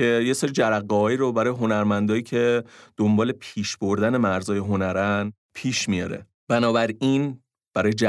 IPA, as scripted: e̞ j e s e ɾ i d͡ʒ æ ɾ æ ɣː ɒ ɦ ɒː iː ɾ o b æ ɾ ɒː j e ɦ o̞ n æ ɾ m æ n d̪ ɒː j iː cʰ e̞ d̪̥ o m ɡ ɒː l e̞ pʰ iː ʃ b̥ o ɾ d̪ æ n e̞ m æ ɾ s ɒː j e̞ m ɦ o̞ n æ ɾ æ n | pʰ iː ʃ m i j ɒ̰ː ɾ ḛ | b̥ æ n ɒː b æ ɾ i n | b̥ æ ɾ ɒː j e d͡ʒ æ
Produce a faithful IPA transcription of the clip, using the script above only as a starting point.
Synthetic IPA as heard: e̞ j e s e ɾ i d͡ʒ æ ɾ æ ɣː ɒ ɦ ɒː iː ɾ o b æ ɾ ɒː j e ɦ o̞ n æ ɾ m æ n d̪ ɒː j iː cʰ e̞ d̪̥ o m b ɒː l e̞ pʰ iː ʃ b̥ o ɾ d̪ æ n e̞ m æ ɾ z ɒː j e̞ ɦ o̞ n æ ɾ æ n | pʰ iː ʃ m i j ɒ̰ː ɾ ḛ | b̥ æ n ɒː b æ ɾ i n | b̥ æ ɾ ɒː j e d͡ʒ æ